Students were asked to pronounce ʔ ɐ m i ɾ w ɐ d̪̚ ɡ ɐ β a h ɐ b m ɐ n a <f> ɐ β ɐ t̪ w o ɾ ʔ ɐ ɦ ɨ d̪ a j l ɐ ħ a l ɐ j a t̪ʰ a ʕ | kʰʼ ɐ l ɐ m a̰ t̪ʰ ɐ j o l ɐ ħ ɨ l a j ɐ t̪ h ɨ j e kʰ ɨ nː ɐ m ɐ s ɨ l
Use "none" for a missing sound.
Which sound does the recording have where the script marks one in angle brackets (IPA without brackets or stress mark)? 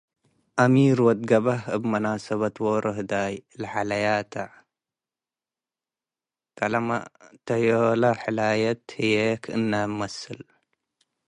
s